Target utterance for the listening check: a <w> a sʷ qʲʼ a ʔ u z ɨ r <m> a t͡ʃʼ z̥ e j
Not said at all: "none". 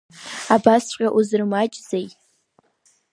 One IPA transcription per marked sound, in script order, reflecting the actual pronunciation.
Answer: b, m

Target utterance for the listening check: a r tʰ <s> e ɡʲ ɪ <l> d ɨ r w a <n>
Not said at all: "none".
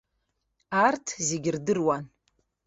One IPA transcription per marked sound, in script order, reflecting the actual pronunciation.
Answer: z, r, n

